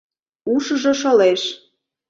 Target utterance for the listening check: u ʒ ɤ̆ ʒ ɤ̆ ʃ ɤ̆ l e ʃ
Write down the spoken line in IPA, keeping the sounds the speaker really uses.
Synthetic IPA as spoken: u ʃ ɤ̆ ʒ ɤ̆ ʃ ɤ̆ l e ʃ